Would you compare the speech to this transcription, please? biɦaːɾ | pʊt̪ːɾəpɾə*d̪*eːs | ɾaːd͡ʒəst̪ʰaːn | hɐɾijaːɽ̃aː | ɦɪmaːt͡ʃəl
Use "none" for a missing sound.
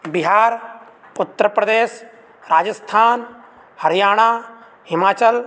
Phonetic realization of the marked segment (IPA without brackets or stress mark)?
d̪